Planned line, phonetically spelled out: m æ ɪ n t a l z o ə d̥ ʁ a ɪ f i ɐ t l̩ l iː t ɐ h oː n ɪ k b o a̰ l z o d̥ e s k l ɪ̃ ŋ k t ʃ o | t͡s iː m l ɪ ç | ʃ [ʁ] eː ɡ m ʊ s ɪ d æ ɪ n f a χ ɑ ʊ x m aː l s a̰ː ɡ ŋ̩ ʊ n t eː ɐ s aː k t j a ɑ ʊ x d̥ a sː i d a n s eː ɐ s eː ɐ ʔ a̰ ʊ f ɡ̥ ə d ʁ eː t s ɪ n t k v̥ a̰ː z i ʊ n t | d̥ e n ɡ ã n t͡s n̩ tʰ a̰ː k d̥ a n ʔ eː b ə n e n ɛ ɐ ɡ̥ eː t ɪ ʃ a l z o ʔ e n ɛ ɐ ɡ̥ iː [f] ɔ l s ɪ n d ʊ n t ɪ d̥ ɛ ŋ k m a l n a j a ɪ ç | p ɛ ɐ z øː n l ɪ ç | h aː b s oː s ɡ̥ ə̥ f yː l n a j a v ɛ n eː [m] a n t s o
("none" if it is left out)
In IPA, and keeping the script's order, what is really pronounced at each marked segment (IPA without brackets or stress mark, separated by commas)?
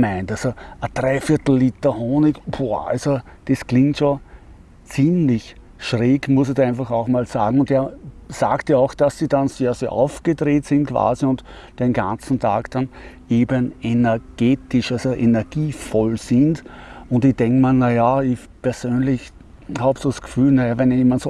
ʁ, f, m